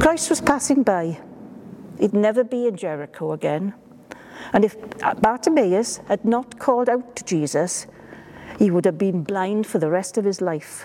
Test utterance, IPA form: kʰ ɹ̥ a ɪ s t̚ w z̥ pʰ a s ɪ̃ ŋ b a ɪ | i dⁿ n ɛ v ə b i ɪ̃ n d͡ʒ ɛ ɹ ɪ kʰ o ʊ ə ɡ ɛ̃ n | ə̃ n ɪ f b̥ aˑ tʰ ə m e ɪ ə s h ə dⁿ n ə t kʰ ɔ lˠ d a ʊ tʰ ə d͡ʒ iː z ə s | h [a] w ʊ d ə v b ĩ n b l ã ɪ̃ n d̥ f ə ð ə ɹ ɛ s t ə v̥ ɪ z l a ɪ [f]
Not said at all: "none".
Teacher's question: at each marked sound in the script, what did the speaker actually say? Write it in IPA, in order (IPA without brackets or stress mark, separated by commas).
i, f